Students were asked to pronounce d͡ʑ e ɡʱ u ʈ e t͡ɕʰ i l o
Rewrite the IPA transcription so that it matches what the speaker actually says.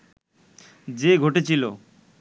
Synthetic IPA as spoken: d͡ʑ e ɡʱ o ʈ e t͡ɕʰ i l o

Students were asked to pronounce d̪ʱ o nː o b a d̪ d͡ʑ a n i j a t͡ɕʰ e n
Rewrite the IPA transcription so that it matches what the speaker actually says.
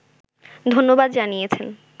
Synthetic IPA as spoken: d̪ʱ o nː o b a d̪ d͡ʑ a n i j e t͡ɕʰ e n

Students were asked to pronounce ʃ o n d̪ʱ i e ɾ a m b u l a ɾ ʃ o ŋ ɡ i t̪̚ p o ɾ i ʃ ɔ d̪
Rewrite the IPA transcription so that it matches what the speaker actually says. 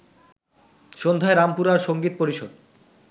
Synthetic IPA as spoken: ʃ o n d̪ʱ a e ɾ a m p u ɾ a ɾ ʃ o ŋ ɡ i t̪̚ p o ɾ i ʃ o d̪

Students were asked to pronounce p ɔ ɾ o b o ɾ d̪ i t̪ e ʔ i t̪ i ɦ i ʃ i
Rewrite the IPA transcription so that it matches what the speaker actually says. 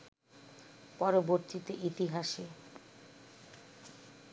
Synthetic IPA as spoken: p ɔ ɾ o b o ɾ t̪ i t̪ e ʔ i t̪ i ɦ a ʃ e

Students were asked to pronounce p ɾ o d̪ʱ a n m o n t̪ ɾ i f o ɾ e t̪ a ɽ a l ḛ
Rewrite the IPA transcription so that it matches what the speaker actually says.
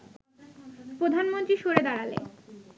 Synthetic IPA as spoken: p ɾ o d̪ʱ a n m o n t̪ ɾ i ʃ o ɾ e d̪ a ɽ a l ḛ

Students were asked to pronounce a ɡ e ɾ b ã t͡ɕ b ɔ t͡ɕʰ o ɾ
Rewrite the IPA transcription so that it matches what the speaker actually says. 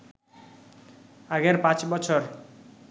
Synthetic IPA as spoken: a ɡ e ɾ p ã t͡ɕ b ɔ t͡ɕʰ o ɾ

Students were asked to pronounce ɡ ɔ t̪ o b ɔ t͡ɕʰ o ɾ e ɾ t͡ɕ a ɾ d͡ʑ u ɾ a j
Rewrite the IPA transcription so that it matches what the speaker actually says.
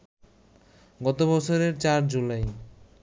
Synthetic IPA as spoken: ɡ ɔ t̪ o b ɔ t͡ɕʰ o ɾ e ɾ t͡ɕ a ɾ d͡ʑ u l a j

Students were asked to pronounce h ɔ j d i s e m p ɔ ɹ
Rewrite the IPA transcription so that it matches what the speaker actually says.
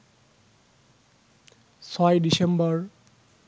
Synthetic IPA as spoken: s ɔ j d i s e m b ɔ ɹ

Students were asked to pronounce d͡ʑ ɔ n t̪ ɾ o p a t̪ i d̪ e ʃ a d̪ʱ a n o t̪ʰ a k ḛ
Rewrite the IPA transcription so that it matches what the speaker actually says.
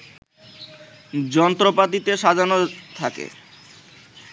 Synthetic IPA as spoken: d͡ʑ ɔ n t̪ ɾ o p a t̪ i t̪ e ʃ a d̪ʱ a n o t̪ʰ a k ḛ

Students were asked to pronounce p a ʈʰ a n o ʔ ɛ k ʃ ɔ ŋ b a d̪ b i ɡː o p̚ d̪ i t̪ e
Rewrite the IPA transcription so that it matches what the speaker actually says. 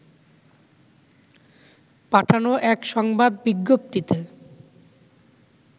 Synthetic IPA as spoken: p a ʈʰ a n o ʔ ɛ k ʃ ɔ ŋ b a d̪ b i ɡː o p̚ t̪ i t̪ e

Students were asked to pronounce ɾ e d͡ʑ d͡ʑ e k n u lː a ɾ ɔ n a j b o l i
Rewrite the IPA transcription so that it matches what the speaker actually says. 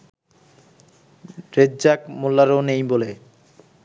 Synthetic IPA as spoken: ɾ e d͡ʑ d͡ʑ a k m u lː a ɾ o n e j b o l e

